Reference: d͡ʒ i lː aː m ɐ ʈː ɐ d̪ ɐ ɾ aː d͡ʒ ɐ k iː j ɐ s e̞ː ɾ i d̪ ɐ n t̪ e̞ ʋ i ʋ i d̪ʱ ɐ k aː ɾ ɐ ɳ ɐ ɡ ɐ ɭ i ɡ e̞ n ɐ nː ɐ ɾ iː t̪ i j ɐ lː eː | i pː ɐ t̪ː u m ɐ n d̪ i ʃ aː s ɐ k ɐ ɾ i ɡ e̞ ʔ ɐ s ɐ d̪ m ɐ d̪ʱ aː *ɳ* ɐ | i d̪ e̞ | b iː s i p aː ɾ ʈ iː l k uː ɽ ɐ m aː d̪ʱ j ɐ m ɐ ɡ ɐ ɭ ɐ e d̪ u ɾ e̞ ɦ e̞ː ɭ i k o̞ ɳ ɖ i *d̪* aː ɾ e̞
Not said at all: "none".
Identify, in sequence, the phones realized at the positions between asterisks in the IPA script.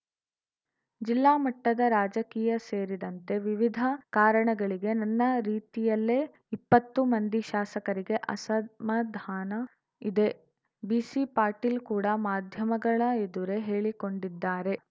n, d̪ː

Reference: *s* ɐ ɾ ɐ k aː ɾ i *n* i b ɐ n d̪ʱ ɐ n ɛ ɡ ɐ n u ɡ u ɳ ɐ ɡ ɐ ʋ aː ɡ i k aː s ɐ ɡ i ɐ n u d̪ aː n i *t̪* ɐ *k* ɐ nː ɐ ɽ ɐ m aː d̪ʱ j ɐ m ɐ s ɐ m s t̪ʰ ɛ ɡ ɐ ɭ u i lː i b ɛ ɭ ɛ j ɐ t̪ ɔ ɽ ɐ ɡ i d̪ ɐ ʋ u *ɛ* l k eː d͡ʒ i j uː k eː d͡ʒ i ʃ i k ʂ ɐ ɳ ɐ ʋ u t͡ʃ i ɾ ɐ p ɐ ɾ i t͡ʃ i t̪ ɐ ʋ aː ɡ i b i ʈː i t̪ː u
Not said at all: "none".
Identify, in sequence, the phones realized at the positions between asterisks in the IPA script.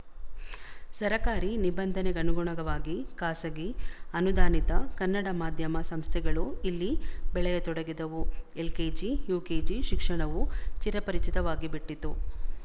s, n, t̪, k, e

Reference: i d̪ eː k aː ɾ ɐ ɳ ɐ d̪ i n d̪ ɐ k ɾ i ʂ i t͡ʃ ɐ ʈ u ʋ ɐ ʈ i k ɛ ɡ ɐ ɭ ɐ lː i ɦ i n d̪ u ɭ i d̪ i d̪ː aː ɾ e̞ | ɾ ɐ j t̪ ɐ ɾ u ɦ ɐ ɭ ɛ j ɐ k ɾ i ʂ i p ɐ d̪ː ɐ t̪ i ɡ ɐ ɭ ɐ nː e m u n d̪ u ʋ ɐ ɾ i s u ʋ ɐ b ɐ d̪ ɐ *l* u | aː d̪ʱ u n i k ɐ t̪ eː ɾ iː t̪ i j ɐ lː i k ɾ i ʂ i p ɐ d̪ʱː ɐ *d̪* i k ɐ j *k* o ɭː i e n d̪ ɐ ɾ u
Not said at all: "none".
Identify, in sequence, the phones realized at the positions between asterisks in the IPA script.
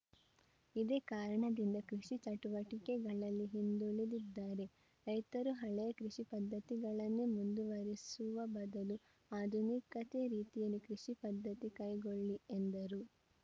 l, t̪, ɡ

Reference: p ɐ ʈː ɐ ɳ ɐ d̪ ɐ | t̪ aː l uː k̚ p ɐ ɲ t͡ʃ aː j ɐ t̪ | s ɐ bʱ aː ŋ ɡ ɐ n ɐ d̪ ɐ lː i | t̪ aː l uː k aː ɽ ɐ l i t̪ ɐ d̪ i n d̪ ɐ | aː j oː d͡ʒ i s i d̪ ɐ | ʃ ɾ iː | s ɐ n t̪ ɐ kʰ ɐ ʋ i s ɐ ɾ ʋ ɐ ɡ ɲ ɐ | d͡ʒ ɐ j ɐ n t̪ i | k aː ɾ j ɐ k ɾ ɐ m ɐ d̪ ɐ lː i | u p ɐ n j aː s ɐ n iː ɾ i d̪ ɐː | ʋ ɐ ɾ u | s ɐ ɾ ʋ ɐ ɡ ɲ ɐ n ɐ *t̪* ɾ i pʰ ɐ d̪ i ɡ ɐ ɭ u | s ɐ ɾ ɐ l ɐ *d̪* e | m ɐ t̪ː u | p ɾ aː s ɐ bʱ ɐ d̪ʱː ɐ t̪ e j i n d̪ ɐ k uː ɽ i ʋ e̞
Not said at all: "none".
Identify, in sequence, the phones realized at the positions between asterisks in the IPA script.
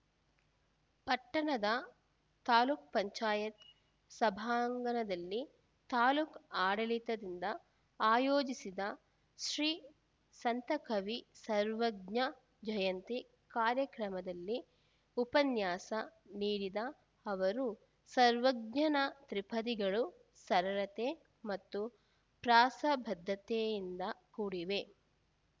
t̪, t̪

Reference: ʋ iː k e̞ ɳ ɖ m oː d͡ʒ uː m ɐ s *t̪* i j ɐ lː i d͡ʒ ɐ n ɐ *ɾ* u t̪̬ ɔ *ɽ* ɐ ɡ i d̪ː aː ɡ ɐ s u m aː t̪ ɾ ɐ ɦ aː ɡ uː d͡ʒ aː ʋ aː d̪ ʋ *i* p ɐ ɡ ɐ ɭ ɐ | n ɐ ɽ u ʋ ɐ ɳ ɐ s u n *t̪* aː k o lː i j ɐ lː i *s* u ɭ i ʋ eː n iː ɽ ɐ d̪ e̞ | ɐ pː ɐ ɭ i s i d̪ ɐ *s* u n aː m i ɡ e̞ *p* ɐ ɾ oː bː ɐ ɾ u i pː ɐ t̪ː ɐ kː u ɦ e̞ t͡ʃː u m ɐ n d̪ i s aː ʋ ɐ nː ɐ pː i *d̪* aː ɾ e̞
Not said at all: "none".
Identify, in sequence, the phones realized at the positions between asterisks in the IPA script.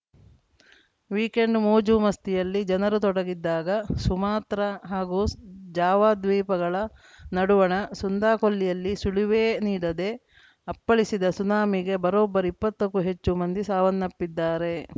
t̪, ɾ, ɽ, iː, d̪, s, s, b, d̪ː

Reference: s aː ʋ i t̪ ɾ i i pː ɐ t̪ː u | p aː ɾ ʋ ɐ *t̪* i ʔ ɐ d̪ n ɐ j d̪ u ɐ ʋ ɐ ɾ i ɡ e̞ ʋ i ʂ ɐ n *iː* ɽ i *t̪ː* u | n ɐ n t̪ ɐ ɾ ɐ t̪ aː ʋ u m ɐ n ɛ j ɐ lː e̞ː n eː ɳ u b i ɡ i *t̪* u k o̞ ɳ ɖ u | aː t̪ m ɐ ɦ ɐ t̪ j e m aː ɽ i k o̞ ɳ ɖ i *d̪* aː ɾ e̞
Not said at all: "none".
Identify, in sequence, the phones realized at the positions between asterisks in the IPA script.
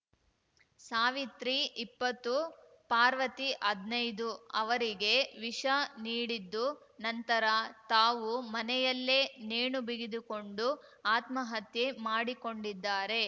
t̪, iː, d̪ː, d̪, d̪ː

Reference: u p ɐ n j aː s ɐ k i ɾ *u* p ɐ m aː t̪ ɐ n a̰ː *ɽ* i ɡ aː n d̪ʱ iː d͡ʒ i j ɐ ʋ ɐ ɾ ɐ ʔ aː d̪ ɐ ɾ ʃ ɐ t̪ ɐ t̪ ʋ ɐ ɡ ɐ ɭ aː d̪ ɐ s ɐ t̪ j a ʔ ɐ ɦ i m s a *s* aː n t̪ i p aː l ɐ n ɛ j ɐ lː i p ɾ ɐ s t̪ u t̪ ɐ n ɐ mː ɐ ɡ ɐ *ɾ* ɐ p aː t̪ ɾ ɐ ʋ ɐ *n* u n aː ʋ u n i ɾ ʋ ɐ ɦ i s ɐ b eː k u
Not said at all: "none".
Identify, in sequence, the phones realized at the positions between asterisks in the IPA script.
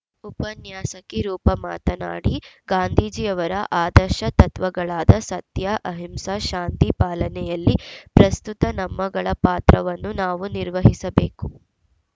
uː, ɽ, ʃ, ɭ, nː

